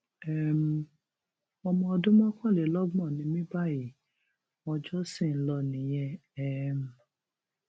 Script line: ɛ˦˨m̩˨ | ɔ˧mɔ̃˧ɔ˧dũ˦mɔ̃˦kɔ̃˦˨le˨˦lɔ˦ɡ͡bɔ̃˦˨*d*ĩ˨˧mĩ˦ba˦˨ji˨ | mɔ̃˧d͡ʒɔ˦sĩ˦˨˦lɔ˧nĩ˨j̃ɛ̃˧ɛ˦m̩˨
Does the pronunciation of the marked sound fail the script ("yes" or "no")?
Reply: yes